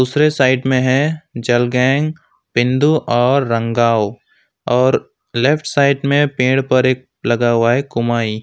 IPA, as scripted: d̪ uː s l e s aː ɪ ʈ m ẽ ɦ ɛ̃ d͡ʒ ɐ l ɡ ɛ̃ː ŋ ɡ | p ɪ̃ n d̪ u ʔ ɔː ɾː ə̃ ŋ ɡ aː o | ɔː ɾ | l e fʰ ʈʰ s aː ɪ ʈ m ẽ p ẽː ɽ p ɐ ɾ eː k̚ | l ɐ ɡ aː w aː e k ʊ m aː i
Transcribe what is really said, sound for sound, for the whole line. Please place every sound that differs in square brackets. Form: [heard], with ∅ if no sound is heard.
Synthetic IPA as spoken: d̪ uː s [ɾ] e s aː ɪ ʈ m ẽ ɦ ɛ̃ d͡ʒ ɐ l ɡ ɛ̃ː ŋ ɡ | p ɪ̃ n d̪ u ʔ ɔː ɾː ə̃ ŋ ɡ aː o | ɔː ɾ | l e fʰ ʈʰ s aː ɪ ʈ m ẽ p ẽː ɽ p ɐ ɾ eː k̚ | l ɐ ɡ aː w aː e k ʊ m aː i